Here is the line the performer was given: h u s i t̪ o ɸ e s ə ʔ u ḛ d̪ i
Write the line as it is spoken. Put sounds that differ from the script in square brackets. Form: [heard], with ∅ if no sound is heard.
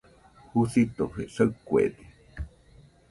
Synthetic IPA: h u s i t̪ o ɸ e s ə [k] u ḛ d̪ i